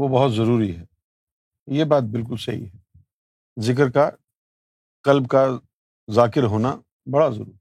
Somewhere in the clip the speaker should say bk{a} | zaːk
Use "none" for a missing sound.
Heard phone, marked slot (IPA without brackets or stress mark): a